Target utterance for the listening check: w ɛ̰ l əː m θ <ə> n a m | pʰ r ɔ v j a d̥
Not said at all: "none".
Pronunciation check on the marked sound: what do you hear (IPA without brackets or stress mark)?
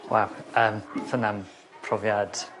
ə